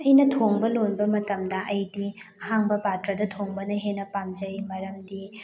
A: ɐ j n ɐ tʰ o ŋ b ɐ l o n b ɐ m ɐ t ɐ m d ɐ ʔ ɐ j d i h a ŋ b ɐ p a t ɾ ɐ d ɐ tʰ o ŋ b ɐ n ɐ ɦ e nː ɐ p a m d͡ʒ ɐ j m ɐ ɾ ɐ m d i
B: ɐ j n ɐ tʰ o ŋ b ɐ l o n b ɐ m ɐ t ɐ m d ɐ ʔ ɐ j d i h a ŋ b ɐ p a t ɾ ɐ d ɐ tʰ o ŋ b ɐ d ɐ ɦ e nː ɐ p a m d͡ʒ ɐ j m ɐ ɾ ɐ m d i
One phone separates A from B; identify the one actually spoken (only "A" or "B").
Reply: A